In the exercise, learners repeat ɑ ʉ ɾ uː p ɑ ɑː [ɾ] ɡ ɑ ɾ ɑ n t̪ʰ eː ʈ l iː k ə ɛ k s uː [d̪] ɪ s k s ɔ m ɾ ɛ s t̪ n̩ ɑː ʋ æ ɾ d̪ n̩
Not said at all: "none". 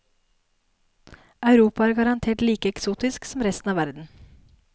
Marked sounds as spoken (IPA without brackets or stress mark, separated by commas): ɾ, t̪